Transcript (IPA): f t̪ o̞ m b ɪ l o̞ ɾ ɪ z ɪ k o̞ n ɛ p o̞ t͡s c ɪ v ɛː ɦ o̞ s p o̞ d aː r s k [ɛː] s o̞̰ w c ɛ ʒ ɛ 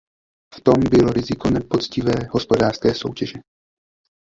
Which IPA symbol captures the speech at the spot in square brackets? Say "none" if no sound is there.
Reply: ɛː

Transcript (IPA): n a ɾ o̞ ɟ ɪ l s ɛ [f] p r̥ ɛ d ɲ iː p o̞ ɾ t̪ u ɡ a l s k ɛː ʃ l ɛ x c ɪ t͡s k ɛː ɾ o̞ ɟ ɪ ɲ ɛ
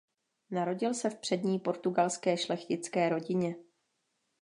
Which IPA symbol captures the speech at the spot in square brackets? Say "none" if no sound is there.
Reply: f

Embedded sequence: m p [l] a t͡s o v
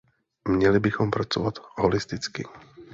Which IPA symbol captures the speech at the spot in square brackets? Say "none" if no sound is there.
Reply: ɾ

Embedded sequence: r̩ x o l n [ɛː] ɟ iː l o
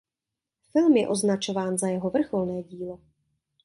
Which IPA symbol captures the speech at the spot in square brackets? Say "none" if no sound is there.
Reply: ɛː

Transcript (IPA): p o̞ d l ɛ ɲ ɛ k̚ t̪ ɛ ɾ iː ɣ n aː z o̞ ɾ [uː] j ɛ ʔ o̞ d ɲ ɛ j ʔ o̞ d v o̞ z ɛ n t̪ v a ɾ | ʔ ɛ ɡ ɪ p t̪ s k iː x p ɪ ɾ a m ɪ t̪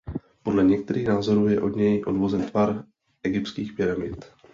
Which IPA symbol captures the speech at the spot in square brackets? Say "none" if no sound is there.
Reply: uː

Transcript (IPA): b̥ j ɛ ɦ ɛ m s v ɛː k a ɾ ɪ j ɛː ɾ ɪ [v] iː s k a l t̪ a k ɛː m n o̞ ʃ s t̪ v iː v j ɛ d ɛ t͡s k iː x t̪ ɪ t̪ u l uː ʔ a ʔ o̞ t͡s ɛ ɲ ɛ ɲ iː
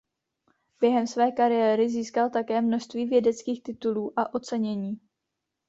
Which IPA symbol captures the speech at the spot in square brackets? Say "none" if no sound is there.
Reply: z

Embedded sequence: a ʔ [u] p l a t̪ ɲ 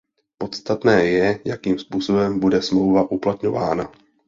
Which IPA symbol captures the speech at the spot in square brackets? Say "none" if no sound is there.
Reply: u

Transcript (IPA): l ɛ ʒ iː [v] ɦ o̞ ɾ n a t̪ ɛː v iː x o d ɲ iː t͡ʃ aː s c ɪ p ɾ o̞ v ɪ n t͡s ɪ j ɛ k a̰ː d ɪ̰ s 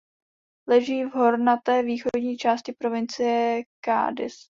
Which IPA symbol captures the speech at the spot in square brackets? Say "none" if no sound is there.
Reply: v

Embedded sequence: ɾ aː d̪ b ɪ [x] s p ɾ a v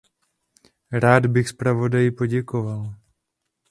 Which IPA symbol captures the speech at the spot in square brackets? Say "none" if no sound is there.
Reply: x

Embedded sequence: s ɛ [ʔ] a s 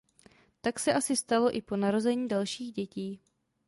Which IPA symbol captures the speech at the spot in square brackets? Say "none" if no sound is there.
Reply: ʔ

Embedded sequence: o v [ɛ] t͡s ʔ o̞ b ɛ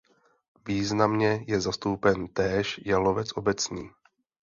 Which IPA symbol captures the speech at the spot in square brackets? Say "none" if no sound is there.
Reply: ɛ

